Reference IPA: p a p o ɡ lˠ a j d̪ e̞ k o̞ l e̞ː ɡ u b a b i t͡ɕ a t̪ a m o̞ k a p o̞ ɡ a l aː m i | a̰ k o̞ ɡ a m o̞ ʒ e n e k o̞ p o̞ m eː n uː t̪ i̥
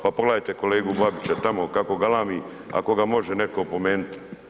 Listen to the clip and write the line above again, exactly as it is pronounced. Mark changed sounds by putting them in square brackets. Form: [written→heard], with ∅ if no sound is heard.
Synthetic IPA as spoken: p a p o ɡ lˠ a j [d̪→t̪] e̞ k o̞ l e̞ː ɡ u b a b i t͡ɕ a t̪ a m o̞ k a [p→k] o̞ ɡ a l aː m i | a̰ k o̞ ɡ a m o̞ ʒ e n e k o̞ p o̞ m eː n [uː→u] t̪ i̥

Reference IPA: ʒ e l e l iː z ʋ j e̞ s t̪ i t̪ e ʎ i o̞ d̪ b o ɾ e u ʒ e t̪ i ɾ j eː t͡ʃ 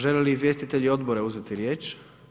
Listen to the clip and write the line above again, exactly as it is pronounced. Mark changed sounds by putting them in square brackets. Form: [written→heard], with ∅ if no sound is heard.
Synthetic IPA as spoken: ʒ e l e l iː z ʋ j e̞ s t̪ i t̪ e ʎ i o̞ d̪ b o ɾ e u [ʒ→z] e t̪ i ɾ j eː t͡ʃ

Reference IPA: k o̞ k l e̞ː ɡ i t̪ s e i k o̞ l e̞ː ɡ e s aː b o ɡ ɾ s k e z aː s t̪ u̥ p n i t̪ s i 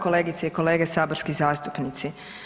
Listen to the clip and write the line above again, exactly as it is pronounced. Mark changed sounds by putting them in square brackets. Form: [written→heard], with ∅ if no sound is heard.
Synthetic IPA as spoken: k o̞ [k→∅] l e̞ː ɡ i t̪ s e i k o̞ l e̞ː ɡ e s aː b o [ɡ→∅] ɾ s k [e→i] z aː s t̪ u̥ p n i t̪ s i

